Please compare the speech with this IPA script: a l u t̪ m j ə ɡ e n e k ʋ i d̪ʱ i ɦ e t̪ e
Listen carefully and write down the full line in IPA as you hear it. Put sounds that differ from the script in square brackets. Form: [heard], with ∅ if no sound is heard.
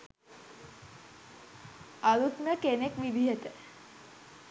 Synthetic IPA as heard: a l u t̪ m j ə [k] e n e k ʋ i d̪ʱ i ɦ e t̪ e